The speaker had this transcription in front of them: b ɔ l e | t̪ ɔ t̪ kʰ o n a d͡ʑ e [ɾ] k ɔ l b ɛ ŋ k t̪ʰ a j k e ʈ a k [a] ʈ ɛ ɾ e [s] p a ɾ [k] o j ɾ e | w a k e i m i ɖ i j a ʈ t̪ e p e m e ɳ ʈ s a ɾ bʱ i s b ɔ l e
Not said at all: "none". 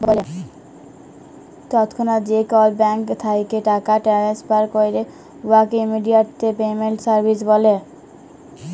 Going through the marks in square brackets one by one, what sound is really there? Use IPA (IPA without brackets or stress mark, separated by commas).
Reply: none, a, s, k